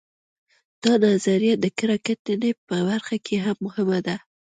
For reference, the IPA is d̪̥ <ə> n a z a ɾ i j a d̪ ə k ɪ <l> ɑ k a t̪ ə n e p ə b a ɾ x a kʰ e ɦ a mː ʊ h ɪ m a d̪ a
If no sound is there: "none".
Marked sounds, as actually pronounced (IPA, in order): ɑ, ɾ

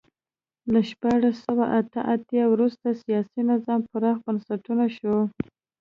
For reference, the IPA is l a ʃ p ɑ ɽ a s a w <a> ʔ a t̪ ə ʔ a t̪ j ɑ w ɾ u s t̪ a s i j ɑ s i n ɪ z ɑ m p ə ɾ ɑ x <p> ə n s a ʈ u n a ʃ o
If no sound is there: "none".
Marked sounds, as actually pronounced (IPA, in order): a, b

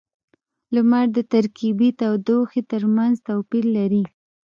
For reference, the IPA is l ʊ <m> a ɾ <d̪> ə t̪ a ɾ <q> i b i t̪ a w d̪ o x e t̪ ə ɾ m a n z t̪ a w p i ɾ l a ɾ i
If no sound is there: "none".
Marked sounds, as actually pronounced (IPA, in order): m, d̪, k

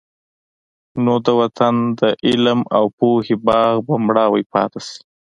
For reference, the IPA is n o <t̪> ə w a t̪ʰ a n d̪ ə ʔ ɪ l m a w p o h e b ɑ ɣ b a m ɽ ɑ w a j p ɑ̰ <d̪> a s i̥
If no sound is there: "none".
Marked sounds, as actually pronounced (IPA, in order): d̪, t̪

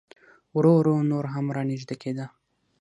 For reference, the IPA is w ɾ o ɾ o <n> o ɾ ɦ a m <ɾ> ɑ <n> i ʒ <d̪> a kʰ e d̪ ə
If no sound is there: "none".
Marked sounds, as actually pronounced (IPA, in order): n, ɾ, n, d̪

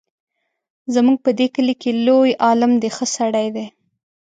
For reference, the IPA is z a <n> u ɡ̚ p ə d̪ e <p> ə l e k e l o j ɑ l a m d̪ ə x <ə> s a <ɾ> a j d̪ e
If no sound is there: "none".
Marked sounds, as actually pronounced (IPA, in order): m, k, ə, ɽ

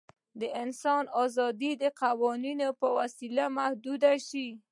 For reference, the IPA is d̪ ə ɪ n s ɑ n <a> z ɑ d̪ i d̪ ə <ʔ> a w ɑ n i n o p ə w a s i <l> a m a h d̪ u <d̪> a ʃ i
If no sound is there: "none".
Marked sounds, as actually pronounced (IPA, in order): ɑ, q, l, d̪

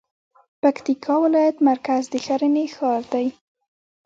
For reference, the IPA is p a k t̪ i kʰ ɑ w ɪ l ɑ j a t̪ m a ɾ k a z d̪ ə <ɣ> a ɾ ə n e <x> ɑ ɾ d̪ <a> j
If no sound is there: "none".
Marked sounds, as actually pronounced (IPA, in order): x, x, a

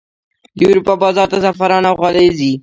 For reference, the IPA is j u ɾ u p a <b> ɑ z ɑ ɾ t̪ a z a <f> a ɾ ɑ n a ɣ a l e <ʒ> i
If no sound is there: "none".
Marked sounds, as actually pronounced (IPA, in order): b, f, z

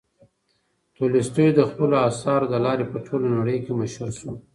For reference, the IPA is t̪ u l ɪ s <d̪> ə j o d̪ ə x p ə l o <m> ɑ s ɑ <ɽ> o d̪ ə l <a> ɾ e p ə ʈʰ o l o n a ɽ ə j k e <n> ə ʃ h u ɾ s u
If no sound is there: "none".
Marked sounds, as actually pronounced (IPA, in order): t̪, none, ɾ, ɑ, m

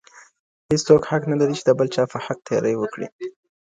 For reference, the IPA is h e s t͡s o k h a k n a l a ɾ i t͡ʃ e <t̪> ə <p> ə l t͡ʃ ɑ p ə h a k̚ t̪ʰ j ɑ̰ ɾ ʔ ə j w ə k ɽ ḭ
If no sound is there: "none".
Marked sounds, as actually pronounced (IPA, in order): d̪, b

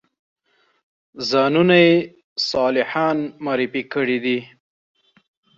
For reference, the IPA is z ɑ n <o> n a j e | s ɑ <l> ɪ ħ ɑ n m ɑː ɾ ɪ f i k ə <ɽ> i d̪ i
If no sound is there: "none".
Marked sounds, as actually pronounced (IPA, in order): u, l, ɽ

